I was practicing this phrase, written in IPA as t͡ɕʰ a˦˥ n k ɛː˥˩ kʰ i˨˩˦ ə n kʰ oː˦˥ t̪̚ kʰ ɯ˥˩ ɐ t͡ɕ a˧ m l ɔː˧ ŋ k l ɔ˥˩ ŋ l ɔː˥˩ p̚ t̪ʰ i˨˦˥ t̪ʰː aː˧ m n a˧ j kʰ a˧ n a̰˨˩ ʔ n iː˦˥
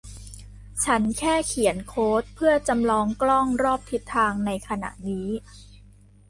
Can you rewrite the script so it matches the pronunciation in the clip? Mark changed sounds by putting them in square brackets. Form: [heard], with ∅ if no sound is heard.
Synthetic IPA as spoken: t͡ɕʰ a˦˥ n [kʰ] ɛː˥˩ kʰ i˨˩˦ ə n kʰ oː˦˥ t̪̚ [pʰ] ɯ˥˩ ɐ t͡ɕ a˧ m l ɔː˧ ŋ k l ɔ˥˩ ŋ [ɾ] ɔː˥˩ p̚ t̪ʰ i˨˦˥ t̪ʰː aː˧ [ŋ] n a˧ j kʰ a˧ n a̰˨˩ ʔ n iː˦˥

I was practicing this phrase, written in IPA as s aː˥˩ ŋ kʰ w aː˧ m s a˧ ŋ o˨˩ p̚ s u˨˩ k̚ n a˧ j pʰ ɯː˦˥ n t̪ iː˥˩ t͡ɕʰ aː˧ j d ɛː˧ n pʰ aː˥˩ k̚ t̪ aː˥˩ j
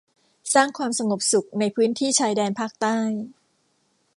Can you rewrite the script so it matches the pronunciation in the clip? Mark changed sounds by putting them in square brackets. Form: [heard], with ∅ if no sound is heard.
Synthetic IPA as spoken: s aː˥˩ ŋ kʰ w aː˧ m s a˧ ŋ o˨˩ p̚ s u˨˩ k̚ n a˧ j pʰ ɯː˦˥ n [t̪ʰ] iː˥˩ t͡ɕʰ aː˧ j d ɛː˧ n pʰ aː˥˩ k̚ t̪ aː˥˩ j

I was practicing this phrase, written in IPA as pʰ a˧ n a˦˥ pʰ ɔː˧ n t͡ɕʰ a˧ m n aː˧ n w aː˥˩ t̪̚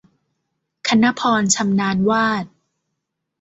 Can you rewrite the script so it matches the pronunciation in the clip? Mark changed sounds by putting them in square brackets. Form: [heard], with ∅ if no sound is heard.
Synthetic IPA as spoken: [kʰ] a˧ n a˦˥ pʰ ɔː˧ n t͡ɕʰ a˧ m n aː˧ n w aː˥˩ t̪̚

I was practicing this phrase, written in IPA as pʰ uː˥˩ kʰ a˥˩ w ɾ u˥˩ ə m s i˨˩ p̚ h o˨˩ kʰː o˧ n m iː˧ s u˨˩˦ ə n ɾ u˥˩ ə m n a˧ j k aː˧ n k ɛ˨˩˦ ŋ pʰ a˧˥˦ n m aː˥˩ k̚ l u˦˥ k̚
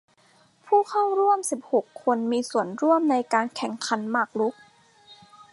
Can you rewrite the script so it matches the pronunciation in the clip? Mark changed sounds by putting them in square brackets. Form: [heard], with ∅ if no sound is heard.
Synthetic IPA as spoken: pʰ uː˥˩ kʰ a˥˩ w ɾ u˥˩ ə m s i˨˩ p̚ h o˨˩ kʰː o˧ n m iː˧ s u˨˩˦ ə n ɾ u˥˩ ə m n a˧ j k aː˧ n [kʰ] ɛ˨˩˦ ŋ [kʰ] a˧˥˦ n m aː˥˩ k̚ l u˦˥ k̚

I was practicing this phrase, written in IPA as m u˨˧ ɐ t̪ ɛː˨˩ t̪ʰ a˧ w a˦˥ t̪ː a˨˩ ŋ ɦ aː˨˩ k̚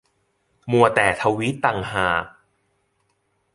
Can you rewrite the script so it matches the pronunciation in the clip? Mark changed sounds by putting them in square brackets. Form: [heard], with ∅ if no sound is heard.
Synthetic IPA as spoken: m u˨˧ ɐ t̪ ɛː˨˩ t̪ʰ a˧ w [i˦˥] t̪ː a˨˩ ŋ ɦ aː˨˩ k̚

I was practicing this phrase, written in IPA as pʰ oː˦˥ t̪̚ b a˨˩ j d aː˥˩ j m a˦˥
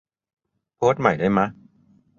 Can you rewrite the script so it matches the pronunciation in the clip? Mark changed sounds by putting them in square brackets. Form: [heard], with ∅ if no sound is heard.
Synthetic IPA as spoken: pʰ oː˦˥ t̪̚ [m] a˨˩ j d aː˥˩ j m a˦˥

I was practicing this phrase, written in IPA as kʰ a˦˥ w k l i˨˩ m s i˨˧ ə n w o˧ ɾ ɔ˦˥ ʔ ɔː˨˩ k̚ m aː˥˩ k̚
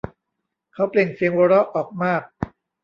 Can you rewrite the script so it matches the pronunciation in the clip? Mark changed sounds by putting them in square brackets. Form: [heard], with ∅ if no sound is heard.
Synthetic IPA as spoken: kʰ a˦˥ w [p] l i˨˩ [ŋ] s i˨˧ ə [ŋ] w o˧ ɾ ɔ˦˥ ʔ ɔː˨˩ k̚ m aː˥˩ k̚

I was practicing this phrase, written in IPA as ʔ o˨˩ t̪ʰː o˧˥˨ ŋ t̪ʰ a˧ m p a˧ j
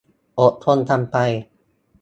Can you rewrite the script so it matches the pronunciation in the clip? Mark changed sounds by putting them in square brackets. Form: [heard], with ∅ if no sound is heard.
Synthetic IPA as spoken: ʔ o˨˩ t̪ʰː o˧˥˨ [n] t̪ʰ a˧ m p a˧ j

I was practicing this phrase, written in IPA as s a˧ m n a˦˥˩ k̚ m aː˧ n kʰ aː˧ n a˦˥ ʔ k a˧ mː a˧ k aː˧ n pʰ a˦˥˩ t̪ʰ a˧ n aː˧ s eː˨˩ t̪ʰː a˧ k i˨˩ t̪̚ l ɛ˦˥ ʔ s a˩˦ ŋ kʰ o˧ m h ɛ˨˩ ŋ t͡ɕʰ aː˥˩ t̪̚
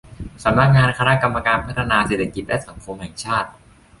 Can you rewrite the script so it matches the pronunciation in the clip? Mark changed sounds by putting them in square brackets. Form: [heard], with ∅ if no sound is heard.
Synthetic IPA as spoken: s [a˩˦] m n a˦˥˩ k̚ [ŋ] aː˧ n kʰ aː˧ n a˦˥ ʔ k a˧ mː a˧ k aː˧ n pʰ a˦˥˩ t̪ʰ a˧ n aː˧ s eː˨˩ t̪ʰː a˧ k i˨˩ t̪̚ l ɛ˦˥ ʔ s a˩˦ ŋ kʰ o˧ m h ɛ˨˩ ŋ t͡ɕʰ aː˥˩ t̪̚

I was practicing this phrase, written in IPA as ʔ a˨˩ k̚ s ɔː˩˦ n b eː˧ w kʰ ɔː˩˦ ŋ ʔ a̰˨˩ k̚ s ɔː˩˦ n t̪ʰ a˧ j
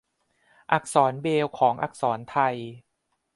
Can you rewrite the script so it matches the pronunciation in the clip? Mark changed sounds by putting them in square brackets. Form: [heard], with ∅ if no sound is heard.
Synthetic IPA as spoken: ʔ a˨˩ k̚ s ɔː˩˦ n b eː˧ w kʰ ɔː˩˦ ŋ ʔ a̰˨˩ k̚ s ɔː˩˦ n t̪ʰ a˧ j

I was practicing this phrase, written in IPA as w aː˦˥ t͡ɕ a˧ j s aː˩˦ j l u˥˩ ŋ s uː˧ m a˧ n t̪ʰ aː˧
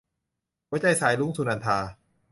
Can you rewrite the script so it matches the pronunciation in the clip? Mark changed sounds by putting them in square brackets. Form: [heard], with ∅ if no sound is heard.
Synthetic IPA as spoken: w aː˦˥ t͡ɕ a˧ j s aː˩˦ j l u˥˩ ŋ s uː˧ [n] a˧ n t̪ʰ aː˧

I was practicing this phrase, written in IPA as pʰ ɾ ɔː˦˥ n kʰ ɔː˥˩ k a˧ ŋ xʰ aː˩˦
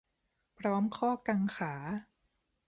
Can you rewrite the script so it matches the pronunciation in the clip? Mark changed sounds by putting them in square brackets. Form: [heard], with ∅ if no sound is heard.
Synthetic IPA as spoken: pʰ ɾ ɔː˦˥ [m] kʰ ɔː˥˩ k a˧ ŋ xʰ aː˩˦

